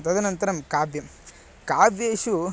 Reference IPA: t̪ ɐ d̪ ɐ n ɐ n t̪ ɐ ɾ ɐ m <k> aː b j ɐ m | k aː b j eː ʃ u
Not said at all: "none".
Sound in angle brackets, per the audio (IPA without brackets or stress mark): k